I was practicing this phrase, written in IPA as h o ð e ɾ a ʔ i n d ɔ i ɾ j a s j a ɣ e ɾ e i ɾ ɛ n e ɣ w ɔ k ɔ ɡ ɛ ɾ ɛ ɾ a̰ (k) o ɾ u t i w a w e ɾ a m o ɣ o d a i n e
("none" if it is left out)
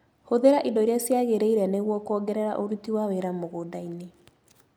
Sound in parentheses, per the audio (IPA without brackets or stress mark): ʔ